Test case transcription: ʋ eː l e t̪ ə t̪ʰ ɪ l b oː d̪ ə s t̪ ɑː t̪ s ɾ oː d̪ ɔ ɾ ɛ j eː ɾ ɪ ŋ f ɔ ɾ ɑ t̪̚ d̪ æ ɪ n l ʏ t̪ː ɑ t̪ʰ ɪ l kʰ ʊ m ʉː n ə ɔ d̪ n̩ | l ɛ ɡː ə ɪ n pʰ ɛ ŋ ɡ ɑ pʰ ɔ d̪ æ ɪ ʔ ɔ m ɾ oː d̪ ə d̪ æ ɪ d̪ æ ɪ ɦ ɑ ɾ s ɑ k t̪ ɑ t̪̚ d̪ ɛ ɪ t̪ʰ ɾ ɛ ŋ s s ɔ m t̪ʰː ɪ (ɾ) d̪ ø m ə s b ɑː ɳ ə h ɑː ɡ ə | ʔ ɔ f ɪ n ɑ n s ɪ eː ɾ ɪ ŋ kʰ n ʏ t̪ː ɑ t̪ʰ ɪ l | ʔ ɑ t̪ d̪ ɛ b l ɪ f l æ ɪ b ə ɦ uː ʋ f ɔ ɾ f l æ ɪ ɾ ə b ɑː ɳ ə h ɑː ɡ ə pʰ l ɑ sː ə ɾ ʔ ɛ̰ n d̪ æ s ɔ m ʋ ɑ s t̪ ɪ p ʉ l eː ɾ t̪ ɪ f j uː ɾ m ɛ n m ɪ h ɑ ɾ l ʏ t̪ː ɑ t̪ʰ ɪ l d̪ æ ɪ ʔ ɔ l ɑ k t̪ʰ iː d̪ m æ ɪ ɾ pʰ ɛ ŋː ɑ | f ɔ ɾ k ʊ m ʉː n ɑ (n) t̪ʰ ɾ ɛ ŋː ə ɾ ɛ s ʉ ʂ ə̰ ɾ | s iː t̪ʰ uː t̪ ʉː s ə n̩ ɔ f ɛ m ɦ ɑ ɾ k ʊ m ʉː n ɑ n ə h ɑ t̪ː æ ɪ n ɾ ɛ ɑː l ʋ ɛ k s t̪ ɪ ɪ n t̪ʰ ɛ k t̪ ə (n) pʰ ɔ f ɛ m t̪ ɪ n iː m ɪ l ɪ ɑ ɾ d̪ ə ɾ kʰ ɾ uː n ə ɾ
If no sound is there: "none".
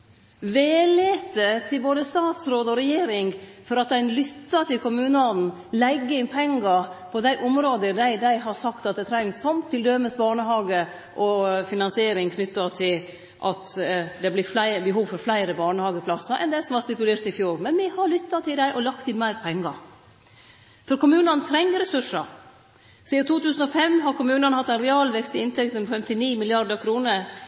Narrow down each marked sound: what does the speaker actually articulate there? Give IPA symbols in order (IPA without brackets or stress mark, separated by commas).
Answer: l, n, n